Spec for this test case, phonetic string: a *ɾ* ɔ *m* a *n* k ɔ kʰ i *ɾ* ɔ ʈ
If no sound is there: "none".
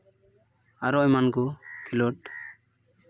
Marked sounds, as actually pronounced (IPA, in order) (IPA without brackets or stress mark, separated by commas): ɾ, m, n, l